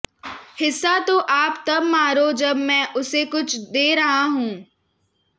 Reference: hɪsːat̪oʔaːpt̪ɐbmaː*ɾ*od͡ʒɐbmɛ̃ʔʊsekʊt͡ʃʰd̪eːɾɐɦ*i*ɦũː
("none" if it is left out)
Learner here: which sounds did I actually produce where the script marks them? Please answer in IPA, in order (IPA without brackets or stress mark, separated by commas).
ɾ, a